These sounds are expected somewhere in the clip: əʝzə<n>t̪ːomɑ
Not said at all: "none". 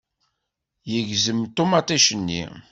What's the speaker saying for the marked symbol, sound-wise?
m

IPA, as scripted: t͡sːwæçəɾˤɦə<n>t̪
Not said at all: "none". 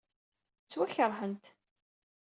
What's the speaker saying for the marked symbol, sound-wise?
n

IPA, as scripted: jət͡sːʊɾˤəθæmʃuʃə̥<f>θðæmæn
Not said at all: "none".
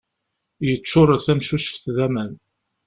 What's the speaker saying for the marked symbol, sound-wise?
f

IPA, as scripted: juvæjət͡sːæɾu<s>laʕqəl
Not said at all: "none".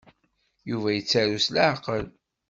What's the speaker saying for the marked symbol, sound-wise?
s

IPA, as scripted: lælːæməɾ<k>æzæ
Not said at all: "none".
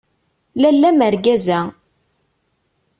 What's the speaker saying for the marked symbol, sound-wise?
ɡ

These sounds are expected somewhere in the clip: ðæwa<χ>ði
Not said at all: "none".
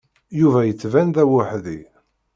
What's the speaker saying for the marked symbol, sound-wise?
ħ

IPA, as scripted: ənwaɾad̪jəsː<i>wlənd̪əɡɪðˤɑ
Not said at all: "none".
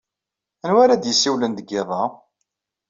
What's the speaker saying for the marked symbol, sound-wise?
i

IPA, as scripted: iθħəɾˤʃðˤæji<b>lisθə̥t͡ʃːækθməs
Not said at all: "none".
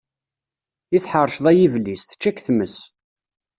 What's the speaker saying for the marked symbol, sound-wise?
v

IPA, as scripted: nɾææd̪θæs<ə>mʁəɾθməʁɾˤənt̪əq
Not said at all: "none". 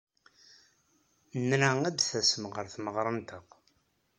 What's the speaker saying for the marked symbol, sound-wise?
ə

